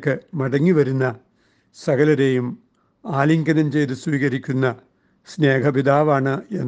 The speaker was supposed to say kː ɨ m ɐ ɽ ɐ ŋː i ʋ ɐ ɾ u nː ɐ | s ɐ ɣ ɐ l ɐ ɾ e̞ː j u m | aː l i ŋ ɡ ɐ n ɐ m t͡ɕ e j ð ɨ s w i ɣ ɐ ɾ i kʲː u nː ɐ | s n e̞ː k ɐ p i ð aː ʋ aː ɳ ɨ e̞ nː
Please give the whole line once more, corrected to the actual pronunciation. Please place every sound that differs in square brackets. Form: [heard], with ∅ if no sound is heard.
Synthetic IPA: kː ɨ m ɐ ɽ ɐ ŋː i ʋ ɐ ɾ u nː ɐ | s ɐ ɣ ɐ l ɐ ɾ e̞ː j u m | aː l i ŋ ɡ ɐ n ɐ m t͡ɕ e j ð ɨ s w [iː] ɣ ɐ ɾ i kʲː u nː ɐ | s n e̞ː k ɐ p i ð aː ʋ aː ɳ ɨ e̞ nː